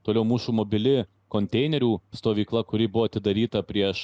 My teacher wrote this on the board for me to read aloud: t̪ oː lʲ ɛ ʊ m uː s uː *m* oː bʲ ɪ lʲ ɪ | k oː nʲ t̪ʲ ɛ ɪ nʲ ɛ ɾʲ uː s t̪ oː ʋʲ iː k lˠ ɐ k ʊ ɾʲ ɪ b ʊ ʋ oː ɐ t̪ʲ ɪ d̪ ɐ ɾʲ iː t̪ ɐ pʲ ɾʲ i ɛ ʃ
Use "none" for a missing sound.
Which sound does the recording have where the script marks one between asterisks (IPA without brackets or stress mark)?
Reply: m